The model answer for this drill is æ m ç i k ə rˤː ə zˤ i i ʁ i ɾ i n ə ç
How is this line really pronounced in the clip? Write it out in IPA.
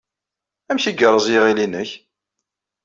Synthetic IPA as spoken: æ m ç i ɡ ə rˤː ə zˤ j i ʁ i l i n ə ç

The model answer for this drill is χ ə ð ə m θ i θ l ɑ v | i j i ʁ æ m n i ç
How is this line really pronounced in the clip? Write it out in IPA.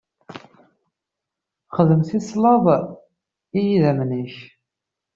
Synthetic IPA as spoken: χ ə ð ə m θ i s l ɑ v | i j i ð æ m n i ç

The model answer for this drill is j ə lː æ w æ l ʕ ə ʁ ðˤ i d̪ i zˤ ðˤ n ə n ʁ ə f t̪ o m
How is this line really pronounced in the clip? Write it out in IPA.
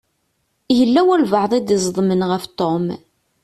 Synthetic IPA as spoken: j ə lː æ w æ l v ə ʕ ðˤ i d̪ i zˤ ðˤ m ə n ʁ ə f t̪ o m

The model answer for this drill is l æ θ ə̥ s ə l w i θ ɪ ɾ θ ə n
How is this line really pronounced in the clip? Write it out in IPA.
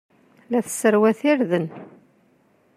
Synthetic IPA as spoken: l æ θ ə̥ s ə ɾ w æ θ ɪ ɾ ð ə n

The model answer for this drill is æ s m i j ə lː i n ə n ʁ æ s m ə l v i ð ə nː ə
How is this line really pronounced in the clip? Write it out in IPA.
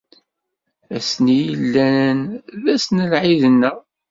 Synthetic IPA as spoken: æ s n i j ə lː æ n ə n ð æ s n ə l ʕ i ð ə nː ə

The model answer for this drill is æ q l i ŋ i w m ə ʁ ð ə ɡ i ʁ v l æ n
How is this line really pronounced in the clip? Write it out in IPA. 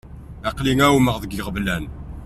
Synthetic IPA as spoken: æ q l i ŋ æ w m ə ʁ ð ə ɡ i ʁ v l æ n

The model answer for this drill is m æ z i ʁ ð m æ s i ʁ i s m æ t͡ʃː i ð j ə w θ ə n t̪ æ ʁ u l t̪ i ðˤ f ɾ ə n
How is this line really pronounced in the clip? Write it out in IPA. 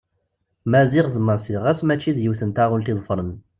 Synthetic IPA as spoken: m æ z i ʁ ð m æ s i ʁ æ s m æ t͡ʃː i ð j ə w θ ə n t̪ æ ʁ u l t̪ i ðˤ f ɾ ə n

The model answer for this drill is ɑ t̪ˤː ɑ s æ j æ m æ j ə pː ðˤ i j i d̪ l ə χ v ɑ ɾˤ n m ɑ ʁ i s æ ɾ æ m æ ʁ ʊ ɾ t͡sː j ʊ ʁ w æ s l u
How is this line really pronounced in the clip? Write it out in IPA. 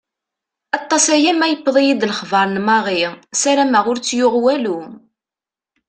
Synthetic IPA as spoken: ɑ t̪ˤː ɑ s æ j æ m æ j ə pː ðˤ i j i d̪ l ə χ v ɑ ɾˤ n m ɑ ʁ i s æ ɾ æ m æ ʁ ʊ ɾ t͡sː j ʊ ʁ w æ l u

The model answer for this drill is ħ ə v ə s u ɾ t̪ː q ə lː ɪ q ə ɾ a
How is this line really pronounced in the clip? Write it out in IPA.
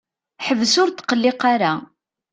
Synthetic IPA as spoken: ħ ə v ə s ʊ ɾ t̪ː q ə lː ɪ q a ɾ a

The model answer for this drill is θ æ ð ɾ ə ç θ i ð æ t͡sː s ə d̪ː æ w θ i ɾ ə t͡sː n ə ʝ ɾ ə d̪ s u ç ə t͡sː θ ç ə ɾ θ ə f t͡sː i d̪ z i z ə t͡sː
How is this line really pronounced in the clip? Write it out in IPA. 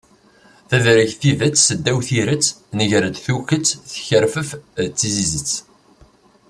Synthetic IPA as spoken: θ æ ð ɾ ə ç θ i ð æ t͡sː s ə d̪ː æ w θ i ɾ ə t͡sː n ə ʝ ɾ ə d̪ θ u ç ə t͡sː θ ç ə ɾ f ə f t͡sː i z i z ə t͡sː

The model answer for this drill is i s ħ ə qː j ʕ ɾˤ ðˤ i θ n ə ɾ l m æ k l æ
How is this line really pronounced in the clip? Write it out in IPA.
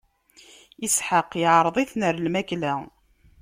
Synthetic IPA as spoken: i s ħ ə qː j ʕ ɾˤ ðˤ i θ n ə ɾ l m æ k l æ

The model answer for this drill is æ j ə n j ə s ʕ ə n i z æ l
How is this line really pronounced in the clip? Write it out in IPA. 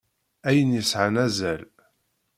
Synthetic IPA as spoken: æ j ə n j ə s ʕ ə n æ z æ l

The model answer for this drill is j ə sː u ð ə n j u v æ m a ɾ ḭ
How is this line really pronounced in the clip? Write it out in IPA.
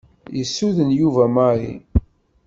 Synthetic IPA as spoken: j ə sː u ð ə n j u v æ m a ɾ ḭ

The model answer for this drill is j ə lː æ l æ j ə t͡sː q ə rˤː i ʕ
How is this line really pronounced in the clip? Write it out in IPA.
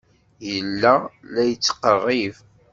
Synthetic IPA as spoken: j ə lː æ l æ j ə t͡sː q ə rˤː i v

